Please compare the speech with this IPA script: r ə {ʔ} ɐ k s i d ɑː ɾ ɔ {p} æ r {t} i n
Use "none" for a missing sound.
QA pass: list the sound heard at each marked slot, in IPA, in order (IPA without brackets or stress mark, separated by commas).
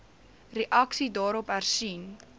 ʔ, p, s